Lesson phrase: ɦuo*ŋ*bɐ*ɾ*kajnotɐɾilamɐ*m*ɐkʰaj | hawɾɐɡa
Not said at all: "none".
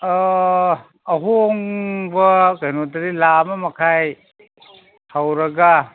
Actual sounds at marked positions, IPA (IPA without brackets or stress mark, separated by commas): ŋ, none, m